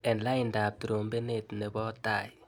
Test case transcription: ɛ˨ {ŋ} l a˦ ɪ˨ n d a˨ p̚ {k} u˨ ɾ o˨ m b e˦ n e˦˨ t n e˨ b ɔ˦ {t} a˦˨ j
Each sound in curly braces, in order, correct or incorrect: incorrect: n, incorrect: t, correct

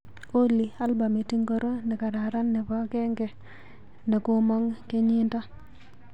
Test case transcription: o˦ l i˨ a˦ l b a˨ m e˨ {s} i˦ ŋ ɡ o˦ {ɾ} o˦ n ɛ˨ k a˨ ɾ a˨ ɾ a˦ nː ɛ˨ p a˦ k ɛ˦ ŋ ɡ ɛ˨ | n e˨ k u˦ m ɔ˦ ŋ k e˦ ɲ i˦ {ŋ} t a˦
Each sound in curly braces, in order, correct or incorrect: incorrect: t, correct, incorrect: n

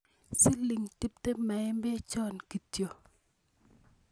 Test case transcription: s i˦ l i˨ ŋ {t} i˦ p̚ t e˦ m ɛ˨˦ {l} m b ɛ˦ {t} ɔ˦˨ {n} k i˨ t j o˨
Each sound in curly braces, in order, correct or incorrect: correct, incorrect: none, incorrect: t͡ʃ, correct

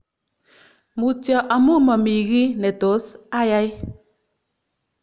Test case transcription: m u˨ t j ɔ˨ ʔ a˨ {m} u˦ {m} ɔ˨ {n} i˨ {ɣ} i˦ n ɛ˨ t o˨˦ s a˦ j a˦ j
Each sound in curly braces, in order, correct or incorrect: correct, correct, incorrect: m, correct

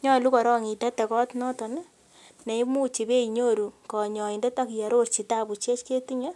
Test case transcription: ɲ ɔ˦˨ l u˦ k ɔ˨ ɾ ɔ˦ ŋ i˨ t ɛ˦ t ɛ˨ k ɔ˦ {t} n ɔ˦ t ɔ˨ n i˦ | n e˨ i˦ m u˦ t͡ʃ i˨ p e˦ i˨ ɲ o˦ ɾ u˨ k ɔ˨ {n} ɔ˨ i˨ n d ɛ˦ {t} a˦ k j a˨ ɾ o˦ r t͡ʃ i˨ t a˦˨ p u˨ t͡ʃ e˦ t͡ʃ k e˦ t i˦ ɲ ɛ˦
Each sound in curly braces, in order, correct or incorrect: correct, incorrect: ɲ, correct

